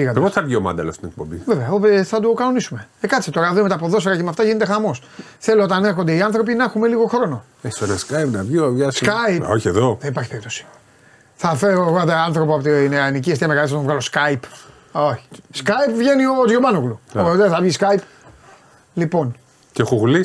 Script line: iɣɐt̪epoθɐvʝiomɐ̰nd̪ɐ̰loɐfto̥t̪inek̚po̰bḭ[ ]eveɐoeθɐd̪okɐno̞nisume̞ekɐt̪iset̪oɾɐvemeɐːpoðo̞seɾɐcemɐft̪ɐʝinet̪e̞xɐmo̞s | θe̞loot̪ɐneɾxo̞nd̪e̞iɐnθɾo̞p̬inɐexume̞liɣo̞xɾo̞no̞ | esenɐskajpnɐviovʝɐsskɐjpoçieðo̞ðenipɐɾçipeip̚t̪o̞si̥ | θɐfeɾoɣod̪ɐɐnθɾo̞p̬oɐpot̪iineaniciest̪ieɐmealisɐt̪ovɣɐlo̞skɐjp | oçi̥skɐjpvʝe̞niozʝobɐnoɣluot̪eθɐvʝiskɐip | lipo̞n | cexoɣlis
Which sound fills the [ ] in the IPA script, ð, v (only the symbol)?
v